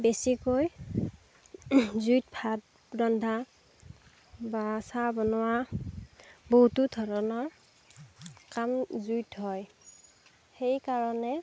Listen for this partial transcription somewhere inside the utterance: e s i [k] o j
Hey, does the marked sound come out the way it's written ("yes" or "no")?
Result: yes